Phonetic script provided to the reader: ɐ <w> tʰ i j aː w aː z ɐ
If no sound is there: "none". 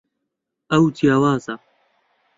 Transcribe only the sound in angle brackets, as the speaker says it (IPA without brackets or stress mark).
w